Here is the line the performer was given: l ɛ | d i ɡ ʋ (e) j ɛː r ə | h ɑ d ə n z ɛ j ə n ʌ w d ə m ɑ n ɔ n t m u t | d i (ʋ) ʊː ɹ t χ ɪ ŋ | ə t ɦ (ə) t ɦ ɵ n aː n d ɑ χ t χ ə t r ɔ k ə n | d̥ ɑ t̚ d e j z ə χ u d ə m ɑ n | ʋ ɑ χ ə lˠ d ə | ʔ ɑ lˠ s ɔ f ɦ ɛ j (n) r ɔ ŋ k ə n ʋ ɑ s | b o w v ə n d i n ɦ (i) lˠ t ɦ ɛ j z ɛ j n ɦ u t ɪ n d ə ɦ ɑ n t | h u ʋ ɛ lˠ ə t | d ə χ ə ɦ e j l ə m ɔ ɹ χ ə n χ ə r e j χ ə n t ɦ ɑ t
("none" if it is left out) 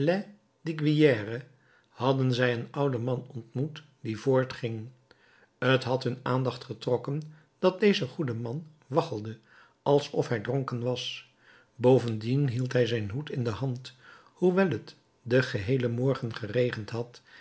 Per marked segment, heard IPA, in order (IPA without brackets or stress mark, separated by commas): i, v, ɑ, d, i